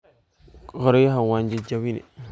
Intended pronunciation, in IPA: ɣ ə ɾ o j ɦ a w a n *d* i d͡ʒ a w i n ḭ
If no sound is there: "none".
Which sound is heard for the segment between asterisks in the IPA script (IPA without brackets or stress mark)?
d͡ʒ